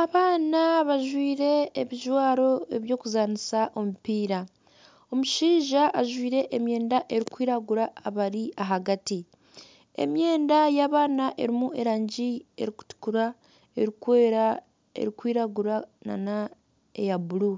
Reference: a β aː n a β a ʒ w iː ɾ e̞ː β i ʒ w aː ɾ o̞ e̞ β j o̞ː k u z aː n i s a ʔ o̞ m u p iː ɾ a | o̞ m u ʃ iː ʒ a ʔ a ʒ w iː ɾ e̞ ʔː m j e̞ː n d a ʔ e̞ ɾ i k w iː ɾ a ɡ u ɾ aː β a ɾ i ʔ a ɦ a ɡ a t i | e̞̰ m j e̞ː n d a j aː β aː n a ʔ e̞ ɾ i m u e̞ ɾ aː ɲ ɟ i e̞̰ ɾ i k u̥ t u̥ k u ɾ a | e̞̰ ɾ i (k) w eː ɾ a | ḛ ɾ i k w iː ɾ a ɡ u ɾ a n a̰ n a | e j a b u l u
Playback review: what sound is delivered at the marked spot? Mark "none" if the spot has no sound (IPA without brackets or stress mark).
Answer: k